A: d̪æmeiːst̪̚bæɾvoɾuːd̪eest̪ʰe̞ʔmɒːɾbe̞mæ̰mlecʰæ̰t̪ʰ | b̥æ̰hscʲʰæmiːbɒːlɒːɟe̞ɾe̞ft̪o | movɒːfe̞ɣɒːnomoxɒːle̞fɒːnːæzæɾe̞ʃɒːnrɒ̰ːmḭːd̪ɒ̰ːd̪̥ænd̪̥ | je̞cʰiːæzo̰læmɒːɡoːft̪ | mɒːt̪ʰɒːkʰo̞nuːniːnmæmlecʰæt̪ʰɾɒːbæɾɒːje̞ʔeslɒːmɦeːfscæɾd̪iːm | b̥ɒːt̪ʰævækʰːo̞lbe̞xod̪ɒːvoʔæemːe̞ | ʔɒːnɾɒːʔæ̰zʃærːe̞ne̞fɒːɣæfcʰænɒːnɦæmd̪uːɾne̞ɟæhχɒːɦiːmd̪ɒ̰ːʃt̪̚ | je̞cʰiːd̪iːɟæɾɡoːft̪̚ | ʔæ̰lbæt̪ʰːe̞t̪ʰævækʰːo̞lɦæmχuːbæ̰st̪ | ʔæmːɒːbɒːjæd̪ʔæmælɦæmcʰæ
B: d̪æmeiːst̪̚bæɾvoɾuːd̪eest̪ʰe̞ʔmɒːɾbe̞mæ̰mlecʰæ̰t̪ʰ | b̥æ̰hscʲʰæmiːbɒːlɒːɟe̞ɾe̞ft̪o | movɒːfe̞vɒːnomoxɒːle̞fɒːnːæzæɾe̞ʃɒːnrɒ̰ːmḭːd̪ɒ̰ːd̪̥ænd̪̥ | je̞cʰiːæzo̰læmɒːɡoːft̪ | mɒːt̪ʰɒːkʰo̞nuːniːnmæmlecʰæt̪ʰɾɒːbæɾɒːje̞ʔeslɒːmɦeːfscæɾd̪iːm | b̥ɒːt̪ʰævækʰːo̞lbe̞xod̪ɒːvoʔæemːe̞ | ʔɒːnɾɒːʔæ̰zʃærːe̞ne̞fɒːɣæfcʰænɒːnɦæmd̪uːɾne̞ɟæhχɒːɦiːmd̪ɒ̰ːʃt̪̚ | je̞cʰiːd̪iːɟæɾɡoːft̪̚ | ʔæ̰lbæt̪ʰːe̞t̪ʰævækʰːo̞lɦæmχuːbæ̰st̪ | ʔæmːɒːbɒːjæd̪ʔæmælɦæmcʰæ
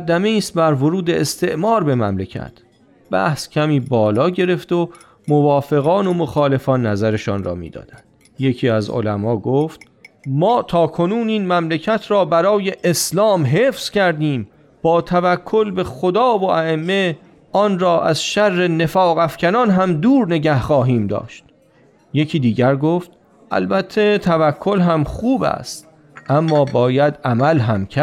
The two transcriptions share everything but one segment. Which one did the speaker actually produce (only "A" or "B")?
A